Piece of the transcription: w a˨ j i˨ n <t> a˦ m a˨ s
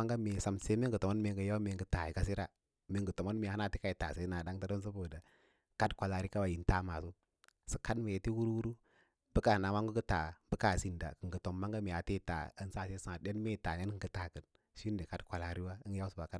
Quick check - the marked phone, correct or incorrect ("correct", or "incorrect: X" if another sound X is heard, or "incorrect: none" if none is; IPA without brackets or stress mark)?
correct